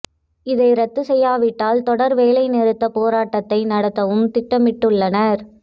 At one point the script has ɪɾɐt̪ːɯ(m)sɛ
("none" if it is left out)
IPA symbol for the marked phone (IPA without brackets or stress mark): none